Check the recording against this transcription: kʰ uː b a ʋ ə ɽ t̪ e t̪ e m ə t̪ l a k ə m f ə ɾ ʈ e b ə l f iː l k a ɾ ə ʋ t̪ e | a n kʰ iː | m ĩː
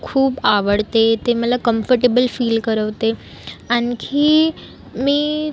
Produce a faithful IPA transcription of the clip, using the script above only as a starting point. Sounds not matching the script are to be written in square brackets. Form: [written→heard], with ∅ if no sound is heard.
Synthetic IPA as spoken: kʰ uː b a ʋ ə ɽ t̪ e t̪ e m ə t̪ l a k ə m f ə ɾ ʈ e b ə l f iː l k [a→ə] ɾ ə ʋ t̪ e | a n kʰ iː | m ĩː

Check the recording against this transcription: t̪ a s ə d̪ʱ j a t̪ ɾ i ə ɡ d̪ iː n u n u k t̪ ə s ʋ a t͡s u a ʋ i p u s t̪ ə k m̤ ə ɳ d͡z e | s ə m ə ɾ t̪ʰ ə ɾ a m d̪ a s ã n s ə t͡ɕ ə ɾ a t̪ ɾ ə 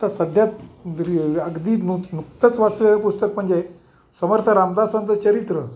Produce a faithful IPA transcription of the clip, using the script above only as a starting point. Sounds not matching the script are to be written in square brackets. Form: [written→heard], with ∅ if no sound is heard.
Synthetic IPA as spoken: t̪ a s ə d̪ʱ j a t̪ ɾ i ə ɡ d̪ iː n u n u k t̪ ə [s→t͡s] ʋ a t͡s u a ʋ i p u s t̪ ə k m̤ ə ɳ d͡z e | s ə m ə ɾ t̪ʰ ə ɾ a m d̪ a s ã n [s→t͡s] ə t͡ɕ ə ɾ [a→i] t̪ ɾ ə

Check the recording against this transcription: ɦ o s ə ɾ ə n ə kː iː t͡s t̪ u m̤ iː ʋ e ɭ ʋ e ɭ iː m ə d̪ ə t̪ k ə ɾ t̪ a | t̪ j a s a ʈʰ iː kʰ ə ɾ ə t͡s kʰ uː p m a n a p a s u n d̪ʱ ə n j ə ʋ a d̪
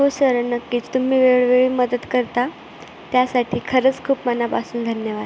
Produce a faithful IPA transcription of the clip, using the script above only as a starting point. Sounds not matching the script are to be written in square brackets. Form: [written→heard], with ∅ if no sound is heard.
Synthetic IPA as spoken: ɦ o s ə ɾ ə n ə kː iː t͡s t̪ u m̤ iː ʋ e ɭ ʋ e ɭ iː m ə d̪ ə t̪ k ə ɾ t̪ a | t̪ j a s a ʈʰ iː kʰ ə ɾ ə t͡s kʰ uː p m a n a p a s [u→uː] n d̪ʱ ə n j ə ʋ a d̪

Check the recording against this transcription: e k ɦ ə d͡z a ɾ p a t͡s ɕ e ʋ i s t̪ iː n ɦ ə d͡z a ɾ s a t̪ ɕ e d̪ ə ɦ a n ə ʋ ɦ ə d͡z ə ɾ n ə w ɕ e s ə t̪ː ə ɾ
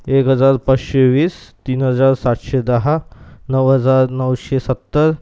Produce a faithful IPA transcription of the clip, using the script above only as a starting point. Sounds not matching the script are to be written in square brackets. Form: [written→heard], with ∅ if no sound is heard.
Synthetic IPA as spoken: e k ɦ ə d͡z a ɾ p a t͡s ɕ e ʋ [i→iː] s t̪ iː n ɦ ə d͡z a ɾ s a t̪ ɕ e d̪ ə ɦ a n ə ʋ ɦ ə d͡z [ə→a] ɾ n ə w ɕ e s ə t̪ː ə ɾ

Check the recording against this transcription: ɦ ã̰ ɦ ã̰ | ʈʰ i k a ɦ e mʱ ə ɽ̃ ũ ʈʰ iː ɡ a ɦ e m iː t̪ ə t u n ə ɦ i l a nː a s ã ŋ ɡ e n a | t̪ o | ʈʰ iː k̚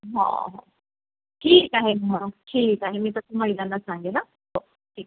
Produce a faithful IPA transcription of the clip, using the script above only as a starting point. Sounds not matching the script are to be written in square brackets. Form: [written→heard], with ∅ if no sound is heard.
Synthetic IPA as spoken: ɦ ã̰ ɦ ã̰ | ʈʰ [i→iː] k a ɦ e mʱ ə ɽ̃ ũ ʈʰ iː [ɡ→k] a ɦ e m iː t̪ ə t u [n→m] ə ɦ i l a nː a s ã ŋ ɡ e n a | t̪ o | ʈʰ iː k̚

